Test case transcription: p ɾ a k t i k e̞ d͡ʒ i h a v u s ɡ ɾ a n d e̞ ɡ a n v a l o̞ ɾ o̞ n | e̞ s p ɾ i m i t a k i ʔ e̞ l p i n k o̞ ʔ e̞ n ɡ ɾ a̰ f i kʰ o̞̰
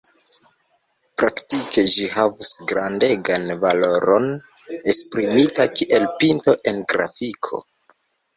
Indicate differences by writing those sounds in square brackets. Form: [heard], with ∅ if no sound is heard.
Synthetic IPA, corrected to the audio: p ɾ a k t i k e̞ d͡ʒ i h a v u s ɡ ɾ a n d e̞ ɡ a n v a l o̞ ɾ o̞ n | e̞ s p ɾ i m i t a k i ʔ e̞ l p i n [t] o̞ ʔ e̞ n ɡ ɾ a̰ f i kʰ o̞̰